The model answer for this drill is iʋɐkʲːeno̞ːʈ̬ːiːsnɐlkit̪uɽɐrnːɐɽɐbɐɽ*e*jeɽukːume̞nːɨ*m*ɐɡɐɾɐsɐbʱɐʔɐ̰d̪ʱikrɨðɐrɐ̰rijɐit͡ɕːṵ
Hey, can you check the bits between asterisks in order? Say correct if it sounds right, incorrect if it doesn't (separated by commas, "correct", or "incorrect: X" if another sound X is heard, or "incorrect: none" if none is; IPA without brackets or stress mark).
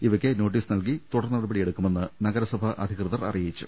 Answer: incorrect: i, incorrect: n